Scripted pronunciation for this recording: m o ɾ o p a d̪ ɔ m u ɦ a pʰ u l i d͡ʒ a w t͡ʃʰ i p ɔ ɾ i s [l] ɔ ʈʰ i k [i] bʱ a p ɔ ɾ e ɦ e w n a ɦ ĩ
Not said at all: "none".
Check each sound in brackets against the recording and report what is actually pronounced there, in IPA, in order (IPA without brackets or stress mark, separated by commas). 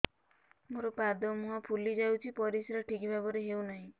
ɾ, i